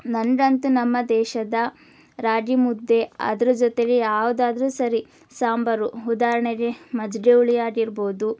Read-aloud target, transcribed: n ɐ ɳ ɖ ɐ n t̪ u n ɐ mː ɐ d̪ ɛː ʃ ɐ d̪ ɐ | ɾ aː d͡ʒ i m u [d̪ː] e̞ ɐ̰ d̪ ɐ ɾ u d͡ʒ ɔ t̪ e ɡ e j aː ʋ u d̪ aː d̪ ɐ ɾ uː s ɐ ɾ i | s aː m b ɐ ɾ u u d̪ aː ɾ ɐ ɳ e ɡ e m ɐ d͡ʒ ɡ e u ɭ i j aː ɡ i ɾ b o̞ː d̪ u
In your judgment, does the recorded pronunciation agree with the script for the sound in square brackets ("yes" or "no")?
yes